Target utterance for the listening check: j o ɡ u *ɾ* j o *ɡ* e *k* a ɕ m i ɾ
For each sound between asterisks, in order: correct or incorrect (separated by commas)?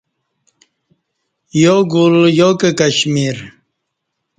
incorrect, incorrect, correct